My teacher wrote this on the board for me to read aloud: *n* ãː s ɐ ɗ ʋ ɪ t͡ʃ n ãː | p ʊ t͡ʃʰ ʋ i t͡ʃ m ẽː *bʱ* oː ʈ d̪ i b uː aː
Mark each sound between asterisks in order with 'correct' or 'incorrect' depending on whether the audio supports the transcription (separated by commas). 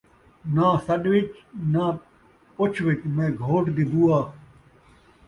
correct, incorrect